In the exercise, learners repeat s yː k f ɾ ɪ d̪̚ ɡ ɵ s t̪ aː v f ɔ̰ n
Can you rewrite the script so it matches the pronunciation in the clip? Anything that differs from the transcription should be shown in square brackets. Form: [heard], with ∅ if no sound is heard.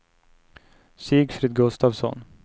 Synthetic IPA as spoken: s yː [ɡ] f ɾ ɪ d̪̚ ɡ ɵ s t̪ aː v [s] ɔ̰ n